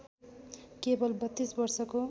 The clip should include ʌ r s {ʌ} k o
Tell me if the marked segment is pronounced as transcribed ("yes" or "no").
yes